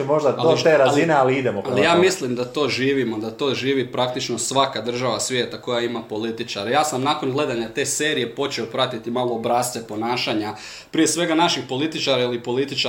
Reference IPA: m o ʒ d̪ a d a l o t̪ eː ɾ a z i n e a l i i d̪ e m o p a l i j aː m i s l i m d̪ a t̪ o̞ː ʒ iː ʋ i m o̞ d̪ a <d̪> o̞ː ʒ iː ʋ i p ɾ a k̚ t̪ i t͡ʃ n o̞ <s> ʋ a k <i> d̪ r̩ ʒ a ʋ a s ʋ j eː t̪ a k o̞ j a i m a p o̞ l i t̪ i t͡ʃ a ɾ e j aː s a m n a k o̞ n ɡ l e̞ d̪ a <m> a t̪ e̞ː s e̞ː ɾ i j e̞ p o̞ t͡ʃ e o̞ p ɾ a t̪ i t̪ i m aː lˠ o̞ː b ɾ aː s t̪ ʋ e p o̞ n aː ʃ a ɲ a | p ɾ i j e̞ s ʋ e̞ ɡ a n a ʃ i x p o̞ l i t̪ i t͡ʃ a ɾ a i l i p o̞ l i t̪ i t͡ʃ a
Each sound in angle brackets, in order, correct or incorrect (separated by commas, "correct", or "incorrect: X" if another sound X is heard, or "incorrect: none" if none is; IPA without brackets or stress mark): incorrect: t̪, correct, incorrect: a, incorrect: ɲ